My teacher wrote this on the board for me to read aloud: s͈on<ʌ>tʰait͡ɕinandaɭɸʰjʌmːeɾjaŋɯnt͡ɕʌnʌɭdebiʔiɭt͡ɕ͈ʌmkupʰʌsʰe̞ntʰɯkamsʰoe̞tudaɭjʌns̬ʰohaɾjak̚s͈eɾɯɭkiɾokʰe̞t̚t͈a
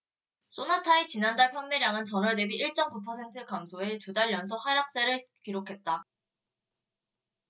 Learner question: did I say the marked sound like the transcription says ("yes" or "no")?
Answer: no